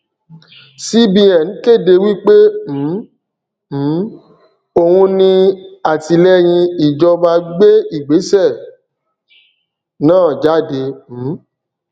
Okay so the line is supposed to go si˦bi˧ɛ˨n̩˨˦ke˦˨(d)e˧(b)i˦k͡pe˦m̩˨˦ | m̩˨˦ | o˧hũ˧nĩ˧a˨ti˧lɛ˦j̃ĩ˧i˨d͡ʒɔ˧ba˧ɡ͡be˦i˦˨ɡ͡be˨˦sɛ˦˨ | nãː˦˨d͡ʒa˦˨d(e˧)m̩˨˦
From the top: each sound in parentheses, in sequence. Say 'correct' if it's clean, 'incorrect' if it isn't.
correct, incorrect: w, correct

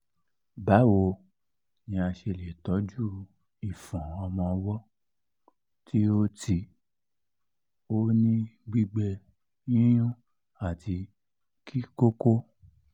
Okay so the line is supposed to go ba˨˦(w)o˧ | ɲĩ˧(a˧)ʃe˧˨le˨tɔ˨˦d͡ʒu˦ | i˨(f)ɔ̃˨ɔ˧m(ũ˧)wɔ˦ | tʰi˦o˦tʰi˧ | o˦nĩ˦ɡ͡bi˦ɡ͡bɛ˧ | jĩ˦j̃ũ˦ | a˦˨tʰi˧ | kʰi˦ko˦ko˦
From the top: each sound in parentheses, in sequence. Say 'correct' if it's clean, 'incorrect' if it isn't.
correct, correct, correct, incorrect: ɔ̃˧

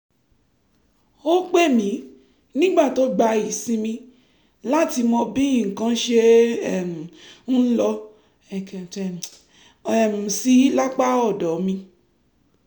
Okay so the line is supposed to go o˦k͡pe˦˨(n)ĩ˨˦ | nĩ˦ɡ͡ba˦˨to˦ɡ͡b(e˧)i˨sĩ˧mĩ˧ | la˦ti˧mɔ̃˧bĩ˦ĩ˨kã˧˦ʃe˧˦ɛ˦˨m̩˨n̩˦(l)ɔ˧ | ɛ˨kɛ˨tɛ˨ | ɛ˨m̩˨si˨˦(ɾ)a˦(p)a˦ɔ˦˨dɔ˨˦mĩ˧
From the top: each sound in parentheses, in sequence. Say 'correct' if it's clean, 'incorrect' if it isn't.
incorrect: m, incorrect: a˧, correct, incorrect: l, incorrect: k͡p

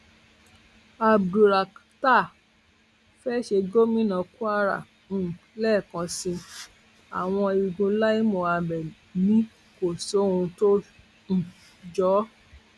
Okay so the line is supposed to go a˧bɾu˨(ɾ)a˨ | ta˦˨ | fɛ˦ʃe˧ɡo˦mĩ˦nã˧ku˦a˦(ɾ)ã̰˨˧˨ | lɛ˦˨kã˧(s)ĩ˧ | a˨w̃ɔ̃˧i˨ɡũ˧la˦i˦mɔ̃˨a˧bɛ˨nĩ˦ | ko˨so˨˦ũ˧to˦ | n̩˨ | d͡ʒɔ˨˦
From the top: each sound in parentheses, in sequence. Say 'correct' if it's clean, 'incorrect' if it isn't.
correct, correct, correct

